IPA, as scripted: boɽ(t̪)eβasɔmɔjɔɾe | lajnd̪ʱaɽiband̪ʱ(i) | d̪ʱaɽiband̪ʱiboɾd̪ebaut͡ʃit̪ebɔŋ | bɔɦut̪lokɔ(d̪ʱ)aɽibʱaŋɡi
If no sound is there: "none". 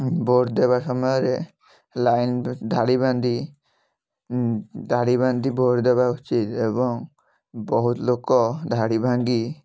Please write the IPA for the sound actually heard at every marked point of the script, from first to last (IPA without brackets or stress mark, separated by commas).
d̪, i, d̪ʱ